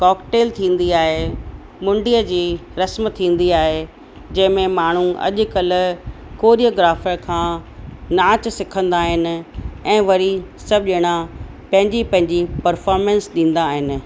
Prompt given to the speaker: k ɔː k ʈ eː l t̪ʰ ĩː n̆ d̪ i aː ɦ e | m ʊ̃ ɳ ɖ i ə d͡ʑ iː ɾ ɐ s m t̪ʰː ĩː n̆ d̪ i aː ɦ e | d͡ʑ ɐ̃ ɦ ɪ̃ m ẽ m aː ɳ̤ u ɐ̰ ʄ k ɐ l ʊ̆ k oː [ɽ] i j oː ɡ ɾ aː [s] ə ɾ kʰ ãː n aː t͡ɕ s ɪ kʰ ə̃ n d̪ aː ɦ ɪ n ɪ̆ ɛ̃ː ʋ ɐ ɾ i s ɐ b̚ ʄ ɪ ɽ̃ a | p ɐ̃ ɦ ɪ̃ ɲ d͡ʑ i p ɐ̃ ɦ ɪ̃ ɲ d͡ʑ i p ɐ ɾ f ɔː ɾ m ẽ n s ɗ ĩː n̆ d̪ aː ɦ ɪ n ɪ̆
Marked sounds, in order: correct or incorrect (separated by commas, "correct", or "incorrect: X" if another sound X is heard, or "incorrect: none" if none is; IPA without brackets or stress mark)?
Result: incorrect: ɾ, incorrect: f